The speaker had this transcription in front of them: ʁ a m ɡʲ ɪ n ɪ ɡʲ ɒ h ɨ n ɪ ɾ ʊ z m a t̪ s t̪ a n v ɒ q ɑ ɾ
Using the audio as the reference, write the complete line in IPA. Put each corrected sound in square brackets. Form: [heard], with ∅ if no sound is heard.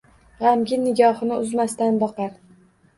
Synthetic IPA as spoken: ʁ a m ɡʲ ɪ n ɪ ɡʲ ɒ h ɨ n ɪ [∅] ʊ z m a [∅] s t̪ a n [b] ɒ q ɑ ɾ